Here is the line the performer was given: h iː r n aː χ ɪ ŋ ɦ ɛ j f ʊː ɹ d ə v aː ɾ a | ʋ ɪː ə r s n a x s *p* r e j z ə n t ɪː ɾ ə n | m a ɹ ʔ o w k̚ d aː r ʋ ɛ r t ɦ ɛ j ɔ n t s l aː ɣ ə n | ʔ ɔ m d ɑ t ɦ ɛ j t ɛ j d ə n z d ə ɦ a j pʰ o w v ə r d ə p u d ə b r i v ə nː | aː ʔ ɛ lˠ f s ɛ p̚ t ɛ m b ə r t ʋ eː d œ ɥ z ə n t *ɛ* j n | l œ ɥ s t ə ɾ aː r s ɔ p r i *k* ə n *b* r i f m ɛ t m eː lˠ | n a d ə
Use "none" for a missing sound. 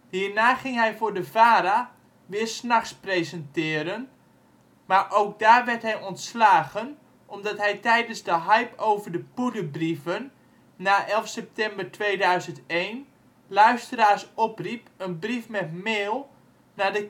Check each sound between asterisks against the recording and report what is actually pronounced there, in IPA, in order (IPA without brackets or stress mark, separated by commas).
p, e, p, b